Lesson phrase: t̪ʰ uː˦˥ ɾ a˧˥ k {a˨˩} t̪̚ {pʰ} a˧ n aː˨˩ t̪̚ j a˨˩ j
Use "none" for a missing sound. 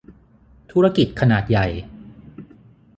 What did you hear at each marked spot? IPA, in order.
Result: i˨˩, kʰ

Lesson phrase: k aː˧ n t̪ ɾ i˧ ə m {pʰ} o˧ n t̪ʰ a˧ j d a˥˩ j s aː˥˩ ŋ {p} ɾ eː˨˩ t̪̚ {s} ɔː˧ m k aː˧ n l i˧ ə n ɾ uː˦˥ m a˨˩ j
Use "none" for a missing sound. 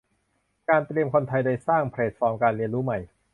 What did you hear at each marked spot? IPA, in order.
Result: kʰ, pʰ, f

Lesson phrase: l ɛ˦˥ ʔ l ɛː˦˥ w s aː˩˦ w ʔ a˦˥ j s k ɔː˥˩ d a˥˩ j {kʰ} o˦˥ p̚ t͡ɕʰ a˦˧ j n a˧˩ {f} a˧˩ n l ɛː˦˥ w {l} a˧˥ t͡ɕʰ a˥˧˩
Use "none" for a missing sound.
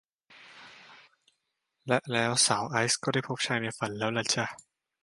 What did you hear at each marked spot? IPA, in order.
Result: pʰ, f, l

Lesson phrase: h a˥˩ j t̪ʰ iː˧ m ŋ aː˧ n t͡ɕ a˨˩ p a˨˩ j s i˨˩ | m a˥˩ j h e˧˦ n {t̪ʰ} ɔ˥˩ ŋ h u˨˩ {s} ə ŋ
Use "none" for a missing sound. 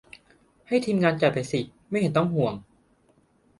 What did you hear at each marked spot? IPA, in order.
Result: t̪, none

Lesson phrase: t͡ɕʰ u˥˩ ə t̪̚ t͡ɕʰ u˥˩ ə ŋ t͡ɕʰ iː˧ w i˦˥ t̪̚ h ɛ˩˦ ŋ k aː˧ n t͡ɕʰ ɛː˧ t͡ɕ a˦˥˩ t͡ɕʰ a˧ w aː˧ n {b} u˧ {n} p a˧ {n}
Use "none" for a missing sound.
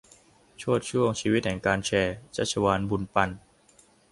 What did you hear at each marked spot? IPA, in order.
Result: b, n, n

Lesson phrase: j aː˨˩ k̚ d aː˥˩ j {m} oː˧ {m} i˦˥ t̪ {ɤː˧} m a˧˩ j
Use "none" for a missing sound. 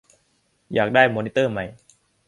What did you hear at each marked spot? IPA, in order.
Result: m, n, ɤː˥˩

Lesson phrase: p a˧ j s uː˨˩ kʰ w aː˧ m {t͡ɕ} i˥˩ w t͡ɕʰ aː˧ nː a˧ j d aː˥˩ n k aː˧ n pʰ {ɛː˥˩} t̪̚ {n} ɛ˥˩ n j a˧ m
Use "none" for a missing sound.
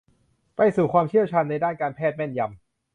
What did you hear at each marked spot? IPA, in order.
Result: t͡ɕʰ, ɛː˥˩, m

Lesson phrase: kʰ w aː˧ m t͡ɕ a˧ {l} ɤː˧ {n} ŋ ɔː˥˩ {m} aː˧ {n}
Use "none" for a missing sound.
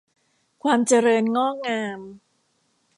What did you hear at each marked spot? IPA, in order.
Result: ɾ, n, ŋ, m

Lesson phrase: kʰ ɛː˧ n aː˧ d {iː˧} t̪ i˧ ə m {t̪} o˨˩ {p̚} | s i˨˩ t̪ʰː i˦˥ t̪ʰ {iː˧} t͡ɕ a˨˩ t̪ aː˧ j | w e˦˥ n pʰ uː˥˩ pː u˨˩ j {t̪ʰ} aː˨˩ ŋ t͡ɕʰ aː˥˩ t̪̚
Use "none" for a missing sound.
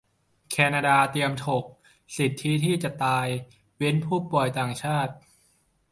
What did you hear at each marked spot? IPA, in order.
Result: aː˧, t̪ʰ, k̚, iː˥˩, t̪

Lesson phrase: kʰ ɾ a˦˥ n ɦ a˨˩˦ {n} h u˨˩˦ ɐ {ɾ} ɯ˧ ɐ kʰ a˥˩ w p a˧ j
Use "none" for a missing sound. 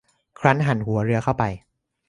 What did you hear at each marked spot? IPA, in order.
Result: n, ɾ

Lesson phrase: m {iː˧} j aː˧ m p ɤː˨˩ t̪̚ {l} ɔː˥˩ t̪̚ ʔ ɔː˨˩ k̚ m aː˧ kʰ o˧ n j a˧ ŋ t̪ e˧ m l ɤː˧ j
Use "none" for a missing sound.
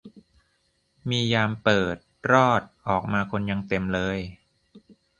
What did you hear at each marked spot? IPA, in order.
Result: iː˧, ɾ

